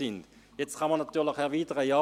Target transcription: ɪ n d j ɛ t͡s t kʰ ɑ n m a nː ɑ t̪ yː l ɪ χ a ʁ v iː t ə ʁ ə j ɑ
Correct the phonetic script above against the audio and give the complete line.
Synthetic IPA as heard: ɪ n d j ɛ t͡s t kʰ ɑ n m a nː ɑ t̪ yː l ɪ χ ɛ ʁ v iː t ə ʁ ə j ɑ